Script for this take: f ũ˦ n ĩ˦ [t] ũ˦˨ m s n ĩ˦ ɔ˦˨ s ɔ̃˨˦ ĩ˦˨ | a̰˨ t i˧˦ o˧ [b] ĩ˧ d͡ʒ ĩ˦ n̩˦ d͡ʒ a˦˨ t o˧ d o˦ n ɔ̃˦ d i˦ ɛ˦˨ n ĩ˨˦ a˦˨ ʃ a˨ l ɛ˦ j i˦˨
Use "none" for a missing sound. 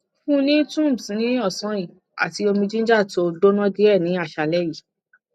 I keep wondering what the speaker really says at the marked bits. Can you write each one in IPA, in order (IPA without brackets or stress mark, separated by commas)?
t, m